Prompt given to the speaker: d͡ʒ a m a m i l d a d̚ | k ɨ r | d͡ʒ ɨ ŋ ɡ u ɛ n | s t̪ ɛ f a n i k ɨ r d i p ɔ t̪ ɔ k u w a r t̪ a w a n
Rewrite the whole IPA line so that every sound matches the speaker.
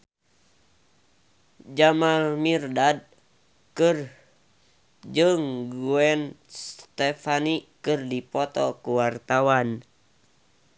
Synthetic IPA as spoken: d͡ʒ a m a m i r d a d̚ | k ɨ r | d͡ʒ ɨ ŋ ɡ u ɛ n | s t̪ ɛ f a n i k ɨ r d i p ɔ t̪ ɔ k u w a r t̪ a w a n